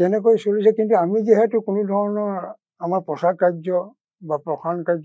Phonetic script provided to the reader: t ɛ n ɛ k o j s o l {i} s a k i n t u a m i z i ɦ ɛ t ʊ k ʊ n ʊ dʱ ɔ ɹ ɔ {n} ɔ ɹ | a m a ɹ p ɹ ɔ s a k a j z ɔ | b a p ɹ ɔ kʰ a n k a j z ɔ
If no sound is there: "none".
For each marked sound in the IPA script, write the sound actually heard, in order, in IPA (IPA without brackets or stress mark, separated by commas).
i, n